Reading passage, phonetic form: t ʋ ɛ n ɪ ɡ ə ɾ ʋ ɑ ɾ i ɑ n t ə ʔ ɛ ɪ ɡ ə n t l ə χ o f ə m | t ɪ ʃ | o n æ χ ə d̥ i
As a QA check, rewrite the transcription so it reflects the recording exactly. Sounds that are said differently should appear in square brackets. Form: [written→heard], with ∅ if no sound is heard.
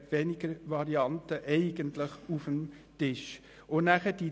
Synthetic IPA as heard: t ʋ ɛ n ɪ ɡ ə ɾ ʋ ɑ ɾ i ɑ n t ə ʔ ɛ ɪ ɡ ə n t l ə χ [o→u] f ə m | t ɪ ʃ | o n æ χ ə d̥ i